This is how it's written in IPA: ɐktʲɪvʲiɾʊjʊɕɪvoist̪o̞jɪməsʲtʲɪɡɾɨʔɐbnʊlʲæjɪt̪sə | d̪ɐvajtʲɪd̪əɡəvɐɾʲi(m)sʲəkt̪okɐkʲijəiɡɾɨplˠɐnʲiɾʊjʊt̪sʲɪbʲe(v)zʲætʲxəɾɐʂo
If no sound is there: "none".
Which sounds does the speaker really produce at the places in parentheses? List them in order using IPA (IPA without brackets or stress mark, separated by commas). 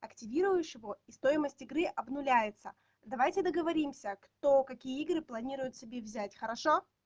m, v